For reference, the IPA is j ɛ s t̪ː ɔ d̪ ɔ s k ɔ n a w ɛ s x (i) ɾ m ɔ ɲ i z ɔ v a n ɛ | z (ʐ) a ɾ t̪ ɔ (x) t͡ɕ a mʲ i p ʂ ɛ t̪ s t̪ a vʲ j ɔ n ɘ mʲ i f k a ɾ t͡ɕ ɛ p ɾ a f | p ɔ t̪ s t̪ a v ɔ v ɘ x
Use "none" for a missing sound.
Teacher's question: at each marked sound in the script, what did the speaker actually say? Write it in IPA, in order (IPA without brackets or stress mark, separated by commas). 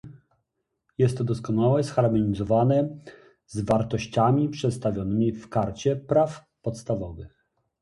a, v, ɕ